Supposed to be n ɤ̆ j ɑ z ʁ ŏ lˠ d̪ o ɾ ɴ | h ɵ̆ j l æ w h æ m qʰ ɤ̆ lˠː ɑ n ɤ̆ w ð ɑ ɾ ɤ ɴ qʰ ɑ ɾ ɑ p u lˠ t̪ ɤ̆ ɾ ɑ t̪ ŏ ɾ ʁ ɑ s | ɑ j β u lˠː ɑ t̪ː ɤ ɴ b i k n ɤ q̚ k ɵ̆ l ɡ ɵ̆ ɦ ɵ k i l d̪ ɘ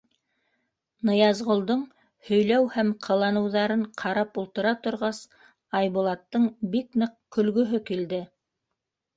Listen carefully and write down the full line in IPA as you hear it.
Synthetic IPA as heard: n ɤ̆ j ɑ z ʁ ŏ lˠ d̪ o ɴ | h ɵ̆ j l æ w h æ m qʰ ɤ̆ lˠ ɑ n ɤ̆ w ð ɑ ɾ ɤ ɴ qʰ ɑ ɾ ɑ p u lˠ t̪ ɤ̆ ɾ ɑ t̪ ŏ ɾ ʁ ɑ s | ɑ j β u lˠ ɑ t̪ː ɤ ɴ b i k n ɤ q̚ k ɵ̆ l ɡ ɵ̆ ɦ ɵ k i l d̪ ɘ